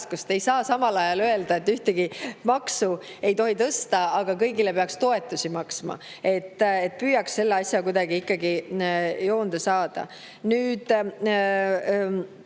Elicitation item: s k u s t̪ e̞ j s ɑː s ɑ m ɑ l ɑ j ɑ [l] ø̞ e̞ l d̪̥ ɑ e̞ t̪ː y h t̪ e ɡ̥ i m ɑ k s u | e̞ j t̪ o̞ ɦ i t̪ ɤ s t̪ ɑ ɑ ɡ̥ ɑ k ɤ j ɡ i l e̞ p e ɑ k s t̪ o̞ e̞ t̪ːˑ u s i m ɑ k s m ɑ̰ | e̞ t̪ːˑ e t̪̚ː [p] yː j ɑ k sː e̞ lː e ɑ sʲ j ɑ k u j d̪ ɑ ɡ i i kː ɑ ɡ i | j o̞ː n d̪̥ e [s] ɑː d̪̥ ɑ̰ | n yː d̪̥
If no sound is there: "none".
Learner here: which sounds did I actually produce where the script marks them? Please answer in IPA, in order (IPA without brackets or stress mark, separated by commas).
l, p, s